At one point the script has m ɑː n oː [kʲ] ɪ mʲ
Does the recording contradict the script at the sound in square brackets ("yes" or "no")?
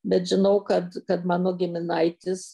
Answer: yes